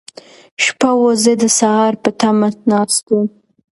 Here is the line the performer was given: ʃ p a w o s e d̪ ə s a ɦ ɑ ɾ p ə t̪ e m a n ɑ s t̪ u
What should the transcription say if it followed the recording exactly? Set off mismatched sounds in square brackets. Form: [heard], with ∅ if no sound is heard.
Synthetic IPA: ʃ p a w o [z] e d̪ ə s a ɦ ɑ ɾ p ə t̪ [a] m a n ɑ s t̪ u